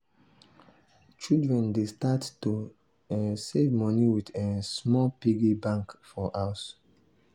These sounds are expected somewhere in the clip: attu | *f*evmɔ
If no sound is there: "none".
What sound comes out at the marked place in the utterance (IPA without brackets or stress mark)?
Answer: s